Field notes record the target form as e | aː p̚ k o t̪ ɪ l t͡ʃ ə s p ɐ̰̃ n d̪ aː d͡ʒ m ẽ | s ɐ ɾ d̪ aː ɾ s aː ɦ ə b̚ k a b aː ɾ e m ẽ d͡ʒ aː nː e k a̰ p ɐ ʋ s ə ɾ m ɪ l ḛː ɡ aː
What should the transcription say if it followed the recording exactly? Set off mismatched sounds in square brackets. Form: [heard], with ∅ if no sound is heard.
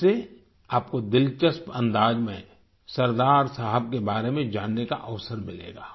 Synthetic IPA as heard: e | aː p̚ k o [d̪] ɪ l t͡ʃ ə s p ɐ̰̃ n d̪ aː d͡ʒ m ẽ | s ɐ ɾ d̪ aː ɾ s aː ɦ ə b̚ k [e] b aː ɾ e m ẽ d͡ʒ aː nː e k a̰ [ʔ] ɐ ʋ s ə ɾ m ɪ l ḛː ɡ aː